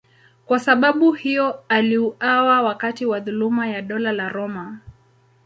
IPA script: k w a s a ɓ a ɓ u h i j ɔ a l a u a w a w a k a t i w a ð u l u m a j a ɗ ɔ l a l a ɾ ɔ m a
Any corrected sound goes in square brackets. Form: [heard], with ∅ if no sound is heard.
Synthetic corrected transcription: k w a s a ɓ a ɓ u h i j ɔ a l [i] u a w a w a k a t i w a ð u l u m a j a ɗ ɔ l a l a ɾ ɔ m a